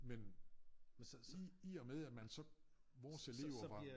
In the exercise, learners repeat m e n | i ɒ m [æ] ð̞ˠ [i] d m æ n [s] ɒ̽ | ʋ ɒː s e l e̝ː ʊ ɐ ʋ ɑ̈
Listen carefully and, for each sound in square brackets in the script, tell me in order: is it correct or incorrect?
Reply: incorrect, incorrect, correct

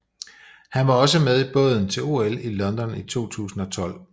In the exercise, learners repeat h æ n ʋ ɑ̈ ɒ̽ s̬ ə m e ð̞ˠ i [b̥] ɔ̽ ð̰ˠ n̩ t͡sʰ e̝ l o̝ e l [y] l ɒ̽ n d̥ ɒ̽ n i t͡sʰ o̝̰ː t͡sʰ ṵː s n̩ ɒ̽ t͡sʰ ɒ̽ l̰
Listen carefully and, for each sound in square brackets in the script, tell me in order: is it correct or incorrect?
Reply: correct, incorrect

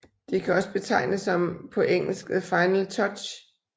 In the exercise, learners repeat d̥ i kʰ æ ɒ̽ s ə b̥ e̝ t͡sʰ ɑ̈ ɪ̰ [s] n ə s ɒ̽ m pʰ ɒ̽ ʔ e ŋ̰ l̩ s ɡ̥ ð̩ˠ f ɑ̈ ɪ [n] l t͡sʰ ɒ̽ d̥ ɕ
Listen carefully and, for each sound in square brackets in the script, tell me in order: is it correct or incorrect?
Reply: incorrect, correct

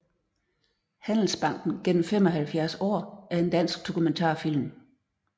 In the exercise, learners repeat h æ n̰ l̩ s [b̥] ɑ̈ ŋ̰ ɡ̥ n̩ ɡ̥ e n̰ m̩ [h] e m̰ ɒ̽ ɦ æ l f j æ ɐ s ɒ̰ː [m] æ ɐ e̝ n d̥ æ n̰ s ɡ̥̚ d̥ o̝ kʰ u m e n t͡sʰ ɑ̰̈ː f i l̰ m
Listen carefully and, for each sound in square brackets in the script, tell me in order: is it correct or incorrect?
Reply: correct, incorrect, incorrect

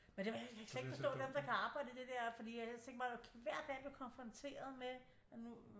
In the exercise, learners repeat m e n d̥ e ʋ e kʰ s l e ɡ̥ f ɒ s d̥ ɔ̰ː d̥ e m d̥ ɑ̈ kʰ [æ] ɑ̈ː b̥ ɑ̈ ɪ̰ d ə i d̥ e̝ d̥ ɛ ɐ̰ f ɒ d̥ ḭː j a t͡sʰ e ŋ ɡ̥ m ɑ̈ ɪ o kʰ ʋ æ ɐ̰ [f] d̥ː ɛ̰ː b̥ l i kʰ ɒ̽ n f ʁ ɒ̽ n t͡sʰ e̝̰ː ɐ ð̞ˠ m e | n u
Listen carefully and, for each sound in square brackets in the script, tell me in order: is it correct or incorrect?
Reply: correct, incorrect

